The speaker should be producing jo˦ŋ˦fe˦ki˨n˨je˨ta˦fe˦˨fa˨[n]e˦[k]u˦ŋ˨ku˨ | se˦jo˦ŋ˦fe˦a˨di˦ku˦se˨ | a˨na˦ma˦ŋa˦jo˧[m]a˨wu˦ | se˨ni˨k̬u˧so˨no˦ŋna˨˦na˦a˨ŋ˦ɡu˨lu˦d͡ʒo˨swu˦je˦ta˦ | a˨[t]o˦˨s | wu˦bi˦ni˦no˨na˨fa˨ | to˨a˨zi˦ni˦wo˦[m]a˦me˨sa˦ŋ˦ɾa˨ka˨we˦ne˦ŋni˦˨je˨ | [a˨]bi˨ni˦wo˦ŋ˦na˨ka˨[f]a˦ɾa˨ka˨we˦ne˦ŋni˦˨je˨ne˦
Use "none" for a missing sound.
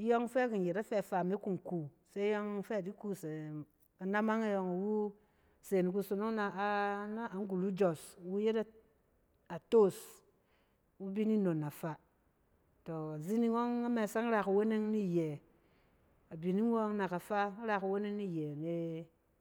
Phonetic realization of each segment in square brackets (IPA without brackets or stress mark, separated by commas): m, k, ŋ, t, ŋ, a˨, f